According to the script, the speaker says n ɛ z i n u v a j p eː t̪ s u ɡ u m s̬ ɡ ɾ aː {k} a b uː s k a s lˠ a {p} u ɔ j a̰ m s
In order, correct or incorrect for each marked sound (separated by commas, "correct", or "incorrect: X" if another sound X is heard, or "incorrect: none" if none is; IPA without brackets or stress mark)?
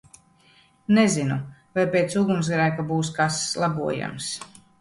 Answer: correct, incorrect: b